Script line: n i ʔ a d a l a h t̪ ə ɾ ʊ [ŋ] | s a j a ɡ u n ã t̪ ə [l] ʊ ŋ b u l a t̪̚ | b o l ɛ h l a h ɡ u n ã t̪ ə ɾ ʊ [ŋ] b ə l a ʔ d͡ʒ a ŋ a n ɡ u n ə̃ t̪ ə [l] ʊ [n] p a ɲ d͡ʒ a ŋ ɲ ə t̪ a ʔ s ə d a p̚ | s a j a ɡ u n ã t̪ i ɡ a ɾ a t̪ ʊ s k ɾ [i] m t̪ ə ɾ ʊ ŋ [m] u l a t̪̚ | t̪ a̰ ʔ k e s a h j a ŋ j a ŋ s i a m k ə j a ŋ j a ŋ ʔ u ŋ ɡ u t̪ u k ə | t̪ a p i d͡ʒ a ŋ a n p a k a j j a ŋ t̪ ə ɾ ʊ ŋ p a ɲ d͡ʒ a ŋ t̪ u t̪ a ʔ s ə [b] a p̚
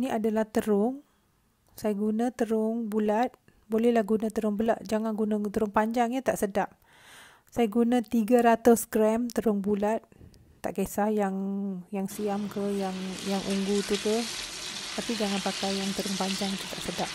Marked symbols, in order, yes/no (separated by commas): yes, no, yes, no, no, no, no, no